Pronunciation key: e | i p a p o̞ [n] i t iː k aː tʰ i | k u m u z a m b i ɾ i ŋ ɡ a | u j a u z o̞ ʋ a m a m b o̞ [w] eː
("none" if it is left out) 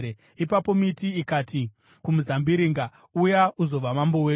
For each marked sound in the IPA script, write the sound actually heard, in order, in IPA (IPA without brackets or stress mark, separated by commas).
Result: m, w